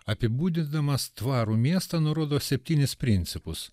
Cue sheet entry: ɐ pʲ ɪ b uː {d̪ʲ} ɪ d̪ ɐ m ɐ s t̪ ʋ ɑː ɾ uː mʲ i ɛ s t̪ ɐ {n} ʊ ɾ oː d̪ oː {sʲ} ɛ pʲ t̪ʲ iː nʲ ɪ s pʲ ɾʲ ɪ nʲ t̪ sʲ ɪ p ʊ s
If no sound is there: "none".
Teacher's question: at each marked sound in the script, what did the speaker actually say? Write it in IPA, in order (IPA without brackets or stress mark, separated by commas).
d̪ʲ, n, sʲ